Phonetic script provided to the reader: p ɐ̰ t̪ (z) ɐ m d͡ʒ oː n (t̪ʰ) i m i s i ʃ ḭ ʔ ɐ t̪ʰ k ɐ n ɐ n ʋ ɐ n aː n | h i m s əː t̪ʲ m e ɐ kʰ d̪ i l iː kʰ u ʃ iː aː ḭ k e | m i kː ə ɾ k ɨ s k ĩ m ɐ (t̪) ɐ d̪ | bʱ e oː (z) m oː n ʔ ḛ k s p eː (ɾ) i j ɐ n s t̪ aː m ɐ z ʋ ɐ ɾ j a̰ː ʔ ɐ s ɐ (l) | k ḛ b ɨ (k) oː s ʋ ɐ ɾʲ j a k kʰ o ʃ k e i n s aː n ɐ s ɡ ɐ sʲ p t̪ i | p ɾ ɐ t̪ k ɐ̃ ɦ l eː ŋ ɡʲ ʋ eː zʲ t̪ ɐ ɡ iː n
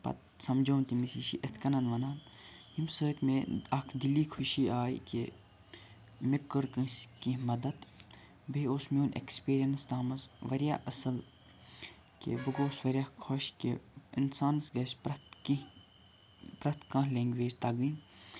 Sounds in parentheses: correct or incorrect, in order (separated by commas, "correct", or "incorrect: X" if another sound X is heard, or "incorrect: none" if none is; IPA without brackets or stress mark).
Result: incorrect: s, incorrect: t̪, incorrect: d̪, incorrect: s, correct, correct, incorrect: ɡ